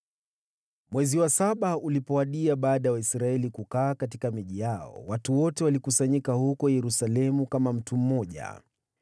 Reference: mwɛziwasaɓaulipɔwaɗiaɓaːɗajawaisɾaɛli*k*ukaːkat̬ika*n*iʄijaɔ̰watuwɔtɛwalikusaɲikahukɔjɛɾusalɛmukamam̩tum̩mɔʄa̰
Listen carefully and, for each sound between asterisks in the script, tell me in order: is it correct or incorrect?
correct, incorrect: m

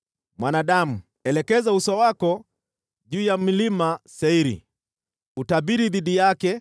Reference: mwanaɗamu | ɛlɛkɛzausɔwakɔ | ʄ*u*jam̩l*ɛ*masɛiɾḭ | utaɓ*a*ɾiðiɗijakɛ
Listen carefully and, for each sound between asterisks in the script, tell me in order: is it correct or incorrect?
incorrect: uː, incorrect: i, incorrect: i

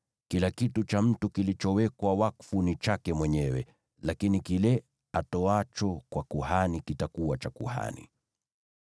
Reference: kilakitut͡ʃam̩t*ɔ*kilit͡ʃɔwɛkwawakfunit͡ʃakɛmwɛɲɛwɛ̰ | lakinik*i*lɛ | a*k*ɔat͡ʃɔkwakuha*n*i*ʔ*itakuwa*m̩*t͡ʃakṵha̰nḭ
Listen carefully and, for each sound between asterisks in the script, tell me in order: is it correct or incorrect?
incorrect: u, correct, incorrect: t, correct, incorrect: k, incorrect: none

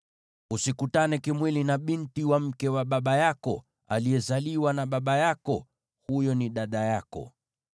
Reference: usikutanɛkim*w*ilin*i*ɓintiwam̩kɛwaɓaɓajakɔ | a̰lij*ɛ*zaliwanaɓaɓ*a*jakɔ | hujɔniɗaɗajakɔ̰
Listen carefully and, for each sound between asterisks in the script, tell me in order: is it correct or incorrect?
correct, incorrect: a, correct, correct

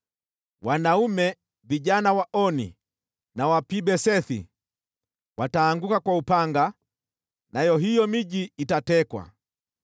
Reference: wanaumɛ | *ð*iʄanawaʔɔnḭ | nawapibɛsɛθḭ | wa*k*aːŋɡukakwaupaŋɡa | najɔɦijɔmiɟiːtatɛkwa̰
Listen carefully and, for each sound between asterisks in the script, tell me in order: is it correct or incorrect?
incorrect: v, incorrect: t

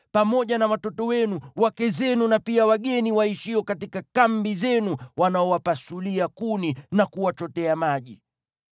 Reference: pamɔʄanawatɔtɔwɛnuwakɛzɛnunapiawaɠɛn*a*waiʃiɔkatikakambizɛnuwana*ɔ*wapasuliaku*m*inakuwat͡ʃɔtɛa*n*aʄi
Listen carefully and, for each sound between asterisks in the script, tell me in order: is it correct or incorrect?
incorrect: i, correct, incorrect: n, incorrect: m

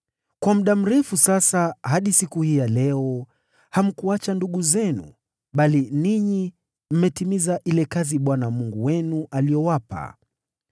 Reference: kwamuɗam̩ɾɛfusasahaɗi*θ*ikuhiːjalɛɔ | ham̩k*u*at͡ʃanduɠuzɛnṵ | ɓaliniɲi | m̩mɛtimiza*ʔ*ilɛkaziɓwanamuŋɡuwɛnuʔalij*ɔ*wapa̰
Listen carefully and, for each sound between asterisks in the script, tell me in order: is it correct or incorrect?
incorrect: s, correct, correct, correct

